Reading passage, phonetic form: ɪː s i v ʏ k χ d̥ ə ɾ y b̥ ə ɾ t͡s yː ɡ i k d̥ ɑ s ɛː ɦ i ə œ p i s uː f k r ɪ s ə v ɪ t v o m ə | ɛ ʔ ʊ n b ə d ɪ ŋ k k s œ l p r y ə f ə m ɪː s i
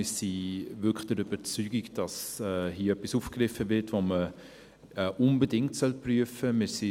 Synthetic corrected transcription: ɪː s i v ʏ k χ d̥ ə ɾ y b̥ ə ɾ t͡s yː ɡ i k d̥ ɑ s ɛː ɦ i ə œ p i s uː f k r ɪ f ə v ɪ t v o m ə | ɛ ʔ ʊ n b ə d ɪ ŋ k t s œ l p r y ə f ə m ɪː s i